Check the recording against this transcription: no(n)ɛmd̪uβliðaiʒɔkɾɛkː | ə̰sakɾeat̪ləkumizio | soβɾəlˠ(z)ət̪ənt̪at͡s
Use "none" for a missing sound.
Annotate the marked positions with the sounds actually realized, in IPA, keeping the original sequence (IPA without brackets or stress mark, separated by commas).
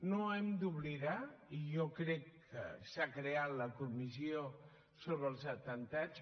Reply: none, z